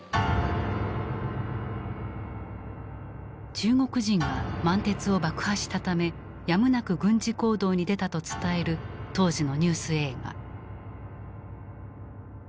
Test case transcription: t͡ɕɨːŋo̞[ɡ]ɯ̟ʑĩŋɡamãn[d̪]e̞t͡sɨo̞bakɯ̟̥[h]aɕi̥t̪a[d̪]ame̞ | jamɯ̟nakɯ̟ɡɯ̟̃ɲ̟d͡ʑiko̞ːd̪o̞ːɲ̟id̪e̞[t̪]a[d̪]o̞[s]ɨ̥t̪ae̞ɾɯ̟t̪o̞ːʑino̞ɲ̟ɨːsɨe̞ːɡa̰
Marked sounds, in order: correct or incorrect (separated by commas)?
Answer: incorrect, incorrect, correct, incorrect, correct, incorrect, incorrect